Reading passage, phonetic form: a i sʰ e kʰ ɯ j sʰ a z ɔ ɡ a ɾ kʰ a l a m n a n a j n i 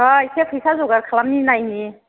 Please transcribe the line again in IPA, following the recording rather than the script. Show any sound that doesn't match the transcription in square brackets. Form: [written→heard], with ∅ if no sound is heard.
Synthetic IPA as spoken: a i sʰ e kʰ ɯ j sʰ a z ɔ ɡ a ɾ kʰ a l a m n [a→i] n a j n i

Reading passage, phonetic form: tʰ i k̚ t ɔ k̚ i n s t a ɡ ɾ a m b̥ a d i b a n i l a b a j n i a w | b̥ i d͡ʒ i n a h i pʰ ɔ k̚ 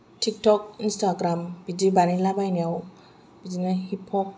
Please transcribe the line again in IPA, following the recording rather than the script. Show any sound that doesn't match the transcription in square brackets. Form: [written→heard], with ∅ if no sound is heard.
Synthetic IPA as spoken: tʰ i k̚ t ɔ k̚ i n s t a ɡ ɾ a m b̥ [a→i] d i b a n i l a b a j n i a w | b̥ i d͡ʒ i n a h i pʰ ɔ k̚

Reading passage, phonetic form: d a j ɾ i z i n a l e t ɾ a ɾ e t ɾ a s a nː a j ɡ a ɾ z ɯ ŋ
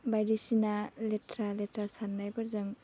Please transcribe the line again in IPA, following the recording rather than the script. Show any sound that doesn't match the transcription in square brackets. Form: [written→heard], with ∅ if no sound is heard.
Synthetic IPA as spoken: [d→b] a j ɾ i [z→s] i n a l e t ɾ a [ɾ→l] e t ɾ a s a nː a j [ɡ→b] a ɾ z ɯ ŋ

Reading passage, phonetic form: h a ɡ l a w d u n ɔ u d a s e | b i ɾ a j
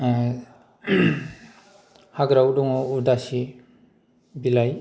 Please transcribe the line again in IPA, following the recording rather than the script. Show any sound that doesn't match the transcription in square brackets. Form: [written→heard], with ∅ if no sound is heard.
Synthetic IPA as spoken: h a ɡ [l→ɾ] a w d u [n→ŋ] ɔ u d a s [e→i] | b i [ɾ→l] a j

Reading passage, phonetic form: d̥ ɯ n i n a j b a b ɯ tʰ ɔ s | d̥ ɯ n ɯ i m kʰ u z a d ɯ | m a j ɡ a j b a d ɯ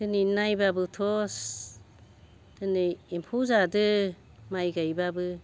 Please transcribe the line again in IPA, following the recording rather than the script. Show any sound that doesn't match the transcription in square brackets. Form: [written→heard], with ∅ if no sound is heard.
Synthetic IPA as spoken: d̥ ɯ n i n a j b a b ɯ tʰ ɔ s | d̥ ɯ n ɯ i m [kʰ→pʰ] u z a d ɯ | m a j ɡ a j b a [d→b] ɯ

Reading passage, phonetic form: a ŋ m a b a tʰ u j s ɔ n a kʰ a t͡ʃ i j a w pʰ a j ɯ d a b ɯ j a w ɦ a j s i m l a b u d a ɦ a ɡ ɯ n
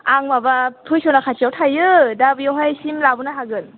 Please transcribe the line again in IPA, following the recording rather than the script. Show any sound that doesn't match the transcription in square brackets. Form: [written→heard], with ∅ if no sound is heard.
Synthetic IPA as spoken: a ŋ m a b a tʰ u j s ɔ n a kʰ a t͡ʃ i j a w [pʰ→tʰ] a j ɯ d a b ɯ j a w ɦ a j s i m l a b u [d→n] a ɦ a ɡ ɯ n

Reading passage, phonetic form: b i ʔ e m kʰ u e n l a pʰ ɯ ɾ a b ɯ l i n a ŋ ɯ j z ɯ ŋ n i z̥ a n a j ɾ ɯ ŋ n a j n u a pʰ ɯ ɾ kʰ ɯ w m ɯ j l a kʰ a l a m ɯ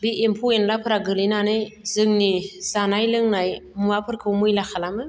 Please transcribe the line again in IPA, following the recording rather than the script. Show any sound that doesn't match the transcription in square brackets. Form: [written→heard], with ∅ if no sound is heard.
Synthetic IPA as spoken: b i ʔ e m [kʰ→pʰ] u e n l a pʰ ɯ ɾ a [b→ɡ] ɯ l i n a [ŋ→n] ɯ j z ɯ ŋ n i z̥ a n a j [ɾ→l] ɯ ŋ n a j [n→m] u a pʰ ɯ ɾ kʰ ɯ w m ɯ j l a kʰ a l a m ɯ

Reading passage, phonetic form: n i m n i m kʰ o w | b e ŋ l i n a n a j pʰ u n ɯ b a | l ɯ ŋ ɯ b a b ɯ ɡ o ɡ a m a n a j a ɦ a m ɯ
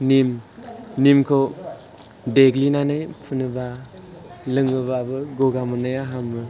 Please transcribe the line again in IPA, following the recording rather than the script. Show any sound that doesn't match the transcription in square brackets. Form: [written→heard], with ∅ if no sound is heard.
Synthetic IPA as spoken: n i m n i m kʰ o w | [b→d] e [ŋ→ɡ] l i n a n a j pʰ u n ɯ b a | l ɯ ŋ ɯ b a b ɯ ɡ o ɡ a m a n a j a ɦ a m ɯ

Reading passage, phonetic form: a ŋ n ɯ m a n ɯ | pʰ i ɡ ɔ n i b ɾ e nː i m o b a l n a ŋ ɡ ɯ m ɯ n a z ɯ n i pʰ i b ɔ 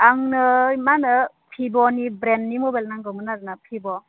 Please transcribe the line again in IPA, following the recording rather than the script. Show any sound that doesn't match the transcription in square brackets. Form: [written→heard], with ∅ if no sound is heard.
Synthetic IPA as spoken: a ŋ n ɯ m a n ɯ | pʰ i [ɡ→b] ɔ n i b ɾ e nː i m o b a l n a ŋ ɡ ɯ m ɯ n a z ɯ n [i→a] pʰ i b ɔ

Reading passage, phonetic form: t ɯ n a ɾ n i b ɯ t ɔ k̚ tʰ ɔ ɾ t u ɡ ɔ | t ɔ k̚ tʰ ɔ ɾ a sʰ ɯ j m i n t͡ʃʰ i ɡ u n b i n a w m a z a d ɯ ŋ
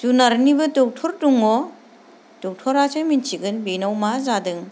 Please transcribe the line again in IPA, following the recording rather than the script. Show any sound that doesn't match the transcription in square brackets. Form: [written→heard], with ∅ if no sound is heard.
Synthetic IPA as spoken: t [ɯ→u] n a ɾ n i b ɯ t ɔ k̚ tʰ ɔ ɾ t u [ɡ→ŋ] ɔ | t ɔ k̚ tʰ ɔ ɾ a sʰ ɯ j m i n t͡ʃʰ i ɡ [u→ɯ] n b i n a w m a z a d ɯ ŋ

